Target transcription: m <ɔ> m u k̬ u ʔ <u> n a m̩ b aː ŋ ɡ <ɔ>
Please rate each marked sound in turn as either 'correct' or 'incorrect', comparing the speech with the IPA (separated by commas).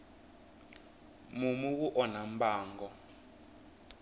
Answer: incorrect, incorrect, correct